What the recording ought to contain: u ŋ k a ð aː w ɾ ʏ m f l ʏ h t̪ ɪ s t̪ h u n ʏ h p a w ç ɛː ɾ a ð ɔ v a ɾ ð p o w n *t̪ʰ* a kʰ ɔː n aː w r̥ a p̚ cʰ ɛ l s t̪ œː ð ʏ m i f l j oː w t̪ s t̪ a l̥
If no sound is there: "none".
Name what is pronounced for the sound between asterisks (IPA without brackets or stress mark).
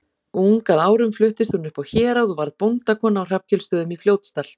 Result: t̪